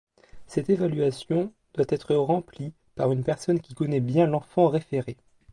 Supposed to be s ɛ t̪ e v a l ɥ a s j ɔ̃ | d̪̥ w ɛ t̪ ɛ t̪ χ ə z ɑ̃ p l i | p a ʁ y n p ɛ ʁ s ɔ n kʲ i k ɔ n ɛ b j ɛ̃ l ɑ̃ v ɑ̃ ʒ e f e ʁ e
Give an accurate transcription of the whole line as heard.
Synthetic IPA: s ɛ t̪ e v a l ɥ a s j ɔ̃ | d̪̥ w a t̪ ɛ t̪ χ ə ʁ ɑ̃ p l i | p a ʁ y n p ɛ ʁ s ɔ n kʲ i k ɔ n ɛ b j ɛ̃ l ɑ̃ f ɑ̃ ʁ e f e ʁ e

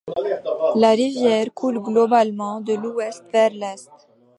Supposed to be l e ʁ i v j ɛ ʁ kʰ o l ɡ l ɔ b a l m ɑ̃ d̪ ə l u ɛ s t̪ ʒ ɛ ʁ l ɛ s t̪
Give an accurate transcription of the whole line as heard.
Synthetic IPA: l a ʁ i v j ɛ ʁ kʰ u l ɡ l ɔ b a l m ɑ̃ d̪ ə l u ɛ s t̪ v ɛ ʁ l ɛ s t̪

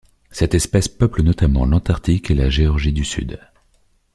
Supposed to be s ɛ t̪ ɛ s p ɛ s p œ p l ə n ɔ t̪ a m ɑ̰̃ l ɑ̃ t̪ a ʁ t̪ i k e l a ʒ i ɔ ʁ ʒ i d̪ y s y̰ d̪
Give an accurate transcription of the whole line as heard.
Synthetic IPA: s ɛ t̪ ɛ s p ɛ s p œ p l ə n ɔ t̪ a m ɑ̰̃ l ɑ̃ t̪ a ʁ t̪ i k e l a ʒ e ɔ ʁ ʒ i d̪ y s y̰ d̪

